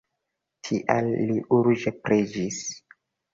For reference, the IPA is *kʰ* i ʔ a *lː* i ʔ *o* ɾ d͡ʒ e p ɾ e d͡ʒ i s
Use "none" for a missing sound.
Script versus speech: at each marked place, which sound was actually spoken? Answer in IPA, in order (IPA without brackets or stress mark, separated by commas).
tʰ, lː, u